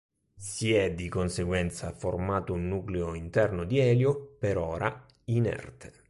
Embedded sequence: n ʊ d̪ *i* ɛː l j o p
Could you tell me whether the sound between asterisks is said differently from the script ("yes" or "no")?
no